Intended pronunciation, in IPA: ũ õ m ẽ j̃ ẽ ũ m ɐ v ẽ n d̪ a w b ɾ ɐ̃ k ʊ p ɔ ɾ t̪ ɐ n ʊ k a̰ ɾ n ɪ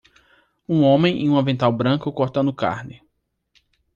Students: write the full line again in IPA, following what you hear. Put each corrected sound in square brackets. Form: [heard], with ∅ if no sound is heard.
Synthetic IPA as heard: ũ õ m ẽ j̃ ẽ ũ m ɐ v ẽ n [t̪] a w b ɾ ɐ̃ k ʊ [k] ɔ ɾ t̪ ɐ n ʊ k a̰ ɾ n ɪ